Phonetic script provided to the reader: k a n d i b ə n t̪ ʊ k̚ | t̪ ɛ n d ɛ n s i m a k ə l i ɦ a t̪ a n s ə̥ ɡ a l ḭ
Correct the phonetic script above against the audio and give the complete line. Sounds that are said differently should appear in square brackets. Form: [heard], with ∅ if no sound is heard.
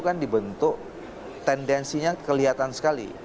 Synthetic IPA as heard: k a n d i b ə n t̪ ʊ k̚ | t̪ ɛ n d ɛ n s i [ɲ] a k ə l i ɦ a t̪ a n s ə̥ [k] a l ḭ

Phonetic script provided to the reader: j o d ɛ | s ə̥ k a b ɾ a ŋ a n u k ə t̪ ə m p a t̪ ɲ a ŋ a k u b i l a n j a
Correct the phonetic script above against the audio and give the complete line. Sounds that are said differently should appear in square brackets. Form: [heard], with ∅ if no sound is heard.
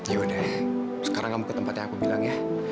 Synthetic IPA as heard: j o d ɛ | s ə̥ k a [∅] ɾ a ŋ a [m] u k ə t̪ ə m p a t̪ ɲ a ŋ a k u b i l a [ŋ] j a

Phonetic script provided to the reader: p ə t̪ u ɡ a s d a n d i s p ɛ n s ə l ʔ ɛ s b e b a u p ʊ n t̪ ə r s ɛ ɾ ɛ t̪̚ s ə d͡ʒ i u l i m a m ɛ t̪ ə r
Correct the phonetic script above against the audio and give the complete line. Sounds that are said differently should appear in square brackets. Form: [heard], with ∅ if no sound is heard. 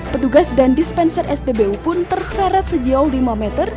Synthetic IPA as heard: p ə t̪ u ɡ a s d a n d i s p ɛ n s ə [r] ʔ ɛ s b e b [e] u p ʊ n t̪ ə r s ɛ ɾ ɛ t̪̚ s ə d͡ʒ [a] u l i m a m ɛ t̪ ə r

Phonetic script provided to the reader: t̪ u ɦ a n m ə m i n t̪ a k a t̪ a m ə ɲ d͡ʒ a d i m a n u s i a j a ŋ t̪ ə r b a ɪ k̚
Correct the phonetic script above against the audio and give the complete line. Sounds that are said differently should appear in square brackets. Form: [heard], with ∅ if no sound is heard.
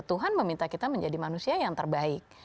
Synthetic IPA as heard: t̪ u ɦ a n m ə m i n t̪ a k [i] t̪ a m ə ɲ d͡ʒ a d i m a n u s i a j a ŋ t̪ ə r b a ɪ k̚

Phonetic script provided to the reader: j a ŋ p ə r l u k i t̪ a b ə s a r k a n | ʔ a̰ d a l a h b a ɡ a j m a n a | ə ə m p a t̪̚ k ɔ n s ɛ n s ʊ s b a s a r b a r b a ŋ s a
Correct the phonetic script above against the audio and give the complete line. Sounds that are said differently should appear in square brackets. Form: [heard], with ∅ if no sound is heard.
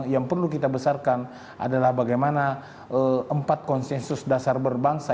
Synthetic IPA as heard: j a ŋ p ə r l u k i t̪ a b ə s a r k a n | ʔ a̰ d a l a h b a ɡ a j m a n a | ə ə m p a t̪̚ k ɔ n s ɛ n s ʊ s [d] a s a r b [ə] r b a ŋ s a

